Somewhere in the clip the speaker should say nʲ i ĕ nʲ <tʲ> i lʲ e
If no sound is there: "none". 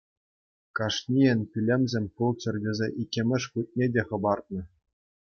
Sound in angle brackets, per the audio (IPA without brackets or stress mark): pʲ